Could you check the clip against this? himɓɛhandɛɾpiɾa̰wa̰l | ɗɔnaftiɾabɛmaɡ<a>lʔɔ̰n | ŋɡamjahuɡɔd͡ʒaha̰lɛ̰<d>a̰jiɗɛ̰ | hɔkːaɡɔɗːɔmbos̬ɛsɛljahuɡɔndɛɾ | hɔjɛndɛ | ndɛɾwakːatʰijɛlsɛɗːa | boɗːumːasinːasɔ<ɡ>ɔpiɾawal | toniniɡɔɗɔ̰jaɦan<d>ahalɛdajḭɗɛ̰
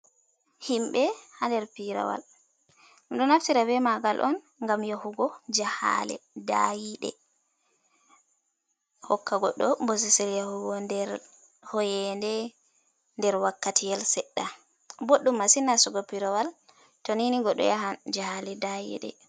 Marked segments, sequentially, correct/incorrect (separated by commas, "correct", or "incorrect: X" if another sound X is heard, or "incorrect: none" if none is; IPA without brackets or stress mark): correct, correct, correct, incorrect: d͡ʒ